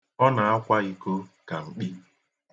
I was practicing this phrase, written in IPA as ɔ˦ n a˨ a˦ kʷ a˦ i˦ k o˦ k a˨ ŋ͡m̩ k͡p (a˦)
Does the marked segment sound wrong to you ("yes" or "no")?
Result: yes